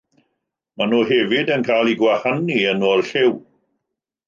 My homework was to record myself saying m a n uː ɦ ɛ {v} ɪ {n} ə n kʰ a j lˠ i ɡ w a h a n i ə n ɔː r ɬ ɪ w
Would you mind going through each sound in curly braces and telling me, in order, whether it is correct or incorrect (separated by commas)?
correct, incorrect